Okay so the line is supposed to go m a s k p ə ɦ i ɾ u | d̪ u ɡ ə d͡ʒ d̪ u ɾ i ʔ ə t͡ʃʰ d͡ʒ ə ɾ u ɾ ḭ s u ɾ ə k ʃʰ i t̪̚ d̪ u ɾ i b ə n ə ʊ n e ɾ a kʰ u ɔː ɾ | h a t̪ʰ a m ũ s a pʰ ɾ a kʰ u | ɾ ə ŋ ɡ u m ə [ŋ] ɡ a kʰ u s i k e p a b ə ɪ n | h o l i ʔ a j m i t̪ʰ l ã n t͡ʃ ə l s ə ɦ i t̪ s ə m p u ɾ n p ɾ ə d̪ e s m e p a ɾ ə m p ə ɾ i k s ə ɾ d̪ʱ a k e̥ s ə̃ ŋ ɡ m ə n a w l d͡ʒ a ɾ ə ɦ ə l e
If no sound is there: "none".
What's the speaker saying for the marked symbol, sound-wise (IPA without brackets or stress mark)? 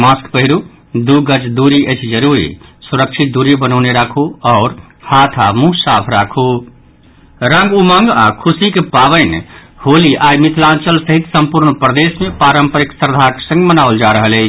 ŋ